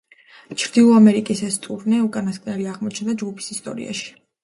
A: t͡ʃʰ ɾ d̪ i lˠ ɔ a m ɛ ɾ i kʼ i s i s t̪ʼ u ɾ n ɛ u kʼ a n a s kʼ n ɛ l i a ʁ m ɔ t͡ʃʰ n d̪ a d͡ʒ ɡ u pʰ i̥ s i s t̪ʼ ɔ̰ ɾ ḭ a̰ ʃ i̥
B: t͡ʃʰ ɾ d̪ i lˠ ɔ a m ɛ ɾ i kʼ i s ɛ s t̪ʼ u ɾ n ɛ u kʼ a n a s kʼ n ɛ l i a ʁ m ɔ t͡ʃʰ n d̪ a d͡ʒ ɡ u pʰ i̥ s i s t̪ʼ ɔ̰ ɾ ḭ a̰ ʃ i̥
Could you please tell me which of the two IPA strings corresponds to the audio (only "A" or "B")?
B